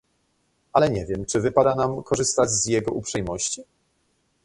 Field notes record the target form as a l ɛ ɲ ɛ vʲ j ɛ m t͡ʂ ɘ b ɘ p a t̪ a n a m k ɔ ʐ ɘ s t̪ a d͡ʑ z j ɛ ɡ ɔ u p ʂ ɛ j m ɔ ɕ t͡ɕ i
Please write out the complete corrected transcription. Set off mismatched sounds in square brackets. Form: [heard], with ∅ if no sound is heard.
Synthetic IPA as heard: a l ɛ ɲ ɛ vʲ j ɛ m t͡ʂ ɘ [v] ɘ p a [d̪] a n a m k ɔ ʐ ɘ s t̪ a d͡ʑ z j ɛ ɡ ɔ u p ʂ ɛ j m ɔ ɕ t͡ɕ i